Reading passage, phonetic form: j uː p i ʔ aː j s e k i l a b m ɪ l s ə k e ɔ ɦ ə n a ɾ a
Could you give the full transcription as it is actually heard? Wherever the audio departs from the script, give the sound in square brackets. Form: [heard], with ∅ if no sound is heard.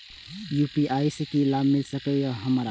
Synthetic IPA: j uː p i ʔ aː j s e k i l a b m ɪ l s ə k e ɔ ɦ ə [m] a ɾ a